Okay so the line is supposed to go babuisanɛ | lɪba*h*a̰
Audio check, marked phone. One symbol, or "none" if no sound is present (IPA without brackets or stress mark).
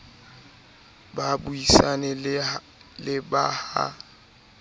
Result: h